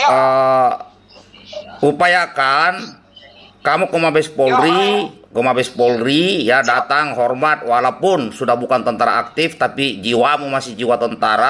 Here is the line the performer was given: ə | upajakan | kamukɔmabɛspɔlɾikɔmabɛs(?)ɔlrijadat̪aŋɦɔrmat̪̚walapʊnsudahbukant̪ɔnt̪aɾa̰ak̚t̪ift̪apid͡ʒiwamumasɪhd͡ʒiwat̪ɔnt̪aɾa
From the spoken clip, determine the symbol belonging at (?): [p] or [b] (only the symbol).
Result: p